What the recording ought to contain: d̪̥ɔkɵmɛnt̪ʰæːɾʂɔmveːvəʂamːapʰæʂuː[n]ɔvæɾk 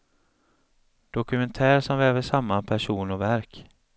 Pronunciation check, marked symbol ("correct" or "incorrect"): correct